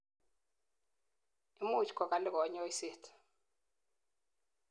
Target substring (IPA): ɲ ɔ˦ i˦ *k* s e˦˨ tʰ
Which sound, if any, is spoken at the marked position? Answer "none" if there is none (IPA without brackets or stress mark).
none